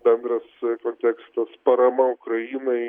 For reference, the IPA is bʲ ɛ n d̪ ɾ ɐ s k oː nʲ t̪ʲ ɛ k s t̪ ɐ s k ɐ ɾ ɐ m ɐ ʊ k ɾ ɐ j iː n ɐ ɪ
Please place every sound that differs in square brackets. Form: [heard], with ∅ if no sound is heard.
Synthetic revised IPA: bʲ ɛ n d̪ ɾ ɐ s k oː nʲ t̪ʲ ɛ k s t̪ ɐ s [p] ɐ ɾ ɐ m ɐ ʊ k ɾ ɐ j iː n ɐ ɪ